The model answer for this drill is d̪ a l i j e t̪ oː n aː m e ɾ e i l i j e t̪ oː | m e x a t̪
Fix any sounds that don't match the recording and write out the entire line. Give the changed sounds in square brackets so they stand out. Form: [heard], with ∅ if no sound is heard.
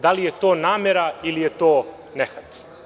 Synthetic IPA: d̪ a l i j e t̪ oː n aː m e ɾ [a] i l i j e t̪ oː | [n] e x a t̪